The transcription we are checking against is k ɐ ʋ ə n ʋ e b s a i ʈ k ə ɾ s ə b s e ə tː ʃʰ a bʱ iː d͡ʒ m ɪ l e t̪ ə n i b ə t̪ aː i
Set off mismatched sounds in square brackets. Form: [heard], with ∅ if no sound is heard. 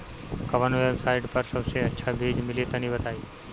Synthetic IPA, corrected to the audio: k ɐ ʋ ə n ʋ e b s a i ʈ [p] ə ɾ s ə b s e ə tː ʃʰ a bʱ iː d͡ʒ m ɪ l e t̪ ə n i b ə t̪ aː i